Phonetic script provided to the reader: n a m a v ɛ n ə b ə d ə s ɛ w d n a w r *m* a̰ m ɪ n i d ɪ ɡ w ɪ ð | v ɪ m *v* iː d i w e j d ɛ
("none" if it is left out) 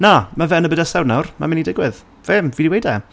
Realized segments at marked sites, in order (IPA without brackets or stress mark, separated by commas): m, v